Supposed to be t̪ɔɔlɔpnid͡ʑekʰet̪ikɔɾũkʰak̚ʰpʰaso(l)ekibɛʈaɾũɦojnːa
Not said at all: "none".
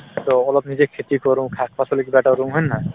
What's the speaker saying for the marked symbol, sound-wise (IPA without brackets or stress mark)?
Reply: l